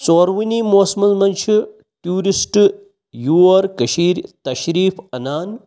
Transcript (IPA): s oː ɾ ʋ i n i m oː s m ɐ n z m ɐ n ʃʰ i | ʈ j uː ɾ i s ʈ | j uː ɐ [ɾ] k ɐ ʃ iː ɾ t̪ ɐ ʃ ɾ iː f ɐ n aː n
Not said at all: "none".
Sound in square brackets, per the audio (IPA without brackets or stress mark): ɾ